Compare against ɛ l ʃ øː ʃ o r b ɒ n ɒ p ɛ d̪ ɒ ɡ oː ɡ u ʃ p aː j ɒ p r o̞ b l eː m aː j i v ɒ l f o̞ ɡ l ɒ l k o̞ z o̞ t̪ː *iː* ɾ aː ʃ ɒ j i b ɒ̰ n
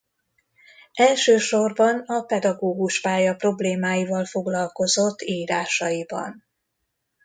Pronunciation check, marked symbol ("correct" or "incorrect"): correct